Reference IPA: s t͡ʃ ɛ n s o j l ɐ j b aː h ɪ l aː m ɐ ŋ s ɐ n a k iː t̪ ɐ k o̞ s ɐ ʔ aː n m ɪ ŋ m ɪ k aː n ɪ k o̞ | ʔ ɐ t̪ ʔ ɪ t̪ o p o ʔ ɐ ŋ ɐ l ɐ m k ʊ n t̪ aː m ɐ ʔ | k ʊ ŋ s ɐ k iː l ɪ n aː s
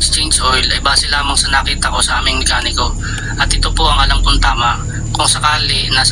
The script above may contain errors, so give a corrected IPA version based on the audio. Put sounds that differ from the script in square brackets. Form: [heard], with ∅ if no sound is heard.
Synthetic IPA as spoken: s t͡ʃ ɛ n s o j l ɐ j b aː [s] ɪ l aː m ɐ ŋ s ɐ n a k iː t̪ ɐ k o̞ s ɐ ʔ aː [∅] m ɪ ŋ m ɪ k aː n ɪ k o̞ | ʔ ɐ t̪ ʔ ɪ t̪ o p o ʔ ɐ ŋ ɐ l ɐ m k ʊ n t̪ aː m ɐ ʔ | k ʊ ŋ s ɐ k [aː] l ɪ n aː s